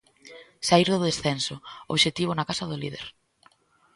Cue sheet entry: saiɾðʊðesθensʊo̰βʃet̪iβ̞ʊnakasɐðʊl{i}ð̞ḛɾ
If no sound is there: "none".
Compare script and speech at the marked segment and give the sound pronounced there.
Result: i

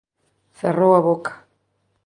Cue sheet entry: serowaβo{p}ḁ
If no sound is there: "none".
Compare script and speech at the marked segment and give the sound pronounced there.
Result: k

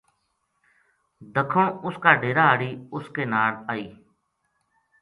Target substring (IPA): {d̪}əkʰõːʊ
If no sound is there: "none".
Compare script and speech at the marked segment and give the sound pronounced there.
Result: d̪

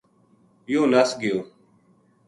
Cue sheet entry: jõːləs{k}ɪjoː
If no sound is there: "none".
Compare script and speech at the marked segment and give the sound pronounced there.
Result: ɡ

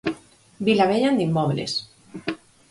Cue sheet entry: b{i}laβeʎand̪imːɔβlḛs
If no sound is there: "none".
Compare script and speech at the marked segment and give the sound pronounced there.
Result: i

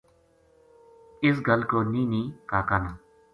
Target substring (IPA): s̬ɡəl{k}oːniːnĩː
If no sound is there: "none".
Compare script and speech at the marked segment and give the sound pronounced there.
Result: k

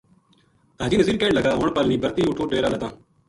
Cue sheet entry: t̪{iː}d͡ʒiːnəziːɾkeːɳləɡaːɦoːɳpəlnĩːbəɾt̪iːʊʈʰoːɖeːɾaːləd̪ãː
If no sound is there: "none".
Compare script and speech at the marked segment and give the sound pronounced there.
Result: aː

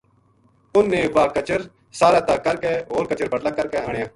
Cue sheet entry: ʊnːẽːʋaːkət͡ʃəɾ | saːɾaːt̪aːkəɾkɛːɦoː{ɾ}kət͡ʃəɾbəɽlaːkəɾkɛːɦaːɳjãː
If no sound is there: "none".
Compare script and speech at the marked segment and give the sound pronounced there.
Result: ɾ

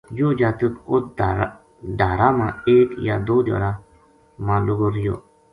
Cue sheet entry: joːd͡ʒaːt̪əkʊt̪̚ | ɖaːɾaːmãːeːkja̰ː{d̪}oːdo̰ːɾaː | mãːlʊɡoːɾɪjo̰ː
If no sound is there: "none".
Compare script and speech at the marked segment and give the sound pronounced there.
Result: d̪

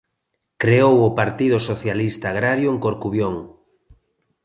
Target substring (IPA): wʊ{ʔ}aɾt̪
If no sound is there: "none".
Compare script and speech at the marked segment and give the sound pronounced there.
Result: p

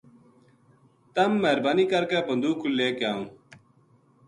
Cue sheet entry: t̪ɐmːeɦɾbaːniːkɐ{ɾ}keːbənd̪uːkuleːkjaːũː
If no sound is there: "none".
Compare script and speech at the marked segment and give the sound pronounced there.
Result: ɾ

